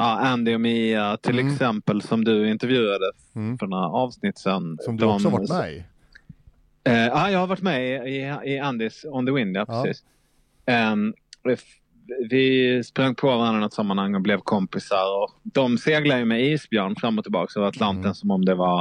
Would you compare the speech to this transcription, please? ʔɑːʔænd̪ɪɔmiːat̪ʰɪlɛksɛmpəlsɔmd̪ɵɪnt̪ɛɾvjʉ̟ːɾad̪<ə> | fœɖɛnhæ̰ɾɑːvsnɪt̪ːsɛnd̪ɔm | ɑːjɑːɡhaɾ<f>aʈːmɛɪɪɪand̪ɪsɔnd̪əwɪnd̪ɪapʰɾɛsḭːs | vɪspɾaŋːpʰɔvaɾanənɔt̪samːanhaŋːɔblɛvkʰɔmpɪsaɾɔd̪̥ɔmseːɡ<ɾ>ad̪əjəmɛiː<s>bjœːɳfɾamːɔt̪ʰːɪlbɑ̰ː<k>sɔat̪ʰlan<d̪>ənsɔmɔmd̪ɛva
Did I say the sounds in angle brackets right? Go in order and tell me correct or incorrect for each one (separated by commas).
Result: correct, incorrect, incorrect, correct, correct, incorrect